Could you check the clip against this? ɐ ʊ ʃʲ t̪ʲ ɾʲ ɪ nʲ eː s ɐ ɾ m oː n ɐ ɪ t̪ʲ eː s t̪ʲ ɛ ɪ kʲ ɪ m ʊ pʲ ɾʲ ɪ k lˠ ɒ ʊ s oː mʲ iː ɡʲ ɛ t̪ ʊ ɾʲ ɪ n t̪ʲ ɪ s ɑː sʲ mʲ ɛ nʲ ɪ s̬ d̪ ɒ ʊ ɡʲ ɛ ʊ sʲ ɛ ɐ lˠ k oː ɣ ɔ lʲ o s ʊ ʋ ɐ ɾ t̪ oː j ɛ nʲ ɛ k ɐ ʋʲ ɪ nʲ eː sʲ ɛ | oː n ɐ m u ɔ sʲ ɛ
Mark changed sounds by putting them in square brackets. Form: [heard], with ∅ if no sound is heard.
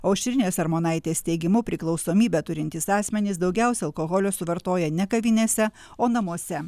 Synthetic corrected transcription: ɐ ʊ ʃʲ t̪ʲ ɾʲ ɪ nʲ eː s ɐ ɾ m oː n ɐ ɪ t̪ʲ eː s t̪ʲ ɛ ɪ [ɡʲ] ɪ m ʊ pʲ ɾʲ ɪ k lˠ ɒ ʊ s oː mʲ iː [bʲ] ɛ t̪ ʊ ɾʲ ɪ n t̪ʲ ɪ s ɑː sʲ mʲ ɛ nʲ ɪ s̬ d̪ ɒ ʊ ɡʲ ɛ ʊ sʲ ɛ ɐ lˠ k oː ɣ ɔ lʲ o s ʊ ʋ ɐ ɾ t̪ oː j ɛ nʲ ɛ k ɐ ʋʲ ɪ nʲ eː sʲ ɛ | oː n ɐ m u ɔ sʲ ɛ